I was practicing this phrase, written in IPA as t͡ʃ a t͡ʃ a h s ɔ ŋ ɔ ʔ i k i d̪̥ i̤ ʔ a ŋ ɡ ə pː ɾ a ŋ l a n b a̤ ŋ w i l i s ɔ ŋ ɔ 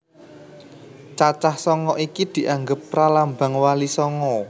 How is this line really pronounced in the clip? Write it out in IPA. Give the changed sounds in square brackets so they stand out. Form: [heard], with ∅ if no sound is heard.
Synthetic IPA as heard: t͡ʃ a t͡ʃ a h s ɔ ŋ ɔ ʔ i k i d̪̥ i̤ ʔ a ŋ ɡ ə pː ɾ a [∅] l a [m] b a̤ ŋ w [a] l i s ɔ ŋ ɔ